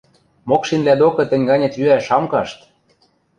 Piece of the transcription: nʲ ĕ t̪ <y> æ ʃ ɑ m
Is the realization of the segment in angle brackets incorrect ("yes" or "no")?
no